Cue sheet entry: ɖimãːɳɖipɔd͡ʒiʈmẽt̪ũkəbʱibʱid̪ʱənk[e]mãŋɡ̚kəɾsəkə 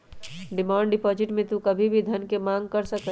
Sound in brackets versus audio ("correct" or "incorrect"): correct